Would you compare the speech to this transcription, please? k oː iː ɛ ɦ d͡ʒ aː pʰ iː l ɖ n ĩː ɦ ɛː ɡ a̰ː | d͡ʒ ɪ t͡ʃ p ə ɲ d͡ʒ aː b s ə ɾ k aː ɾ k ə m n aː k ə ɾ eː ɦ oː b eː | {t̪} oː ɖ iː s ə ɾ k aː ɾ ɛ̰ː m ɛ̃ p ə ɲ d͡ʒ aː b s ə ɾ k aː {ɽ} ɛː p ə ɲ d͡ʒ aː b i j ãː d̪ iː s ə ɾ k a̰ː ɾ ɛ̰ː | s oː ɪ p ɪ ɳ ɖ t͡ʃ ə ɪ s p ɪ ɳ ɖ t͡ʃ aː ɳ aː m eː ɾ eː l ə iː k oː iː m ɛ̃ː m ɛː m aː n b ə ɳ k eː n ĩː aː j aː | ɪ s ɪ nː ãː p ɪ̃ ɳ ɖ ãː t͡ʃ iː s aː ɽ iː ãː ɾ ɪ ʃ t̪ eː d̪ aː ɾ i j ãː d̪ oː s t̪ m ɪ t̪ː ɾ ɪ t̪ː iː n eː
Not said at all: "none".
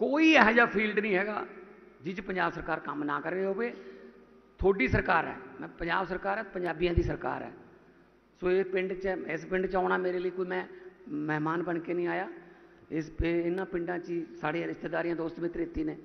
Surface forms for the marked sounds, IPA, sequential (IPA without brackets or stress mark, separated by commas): t̪ʰ, ɾ